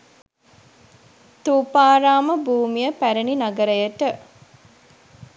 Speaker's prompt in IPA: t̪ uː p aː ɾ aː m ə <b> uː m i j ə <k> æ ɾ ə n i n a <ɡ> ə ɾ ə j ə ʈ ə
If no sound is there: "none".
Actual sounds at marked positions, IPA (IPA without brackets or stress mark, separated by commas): b, p, ɡ